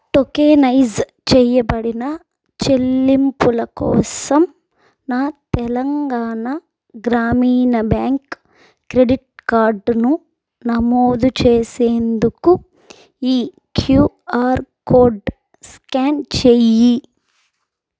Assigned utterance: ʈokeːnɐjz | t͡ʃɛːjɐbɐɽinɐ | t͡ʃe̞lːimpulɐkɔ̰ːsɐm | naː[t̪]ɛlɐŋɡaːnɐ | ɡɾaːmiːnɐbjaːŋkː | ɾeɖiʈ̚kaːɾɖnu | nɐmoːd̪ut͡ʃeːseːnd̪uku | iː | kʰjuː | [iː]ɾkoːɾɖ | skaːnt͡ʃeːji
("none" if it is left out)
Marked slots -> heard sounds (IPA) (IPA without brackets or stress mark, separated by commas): t̪, aː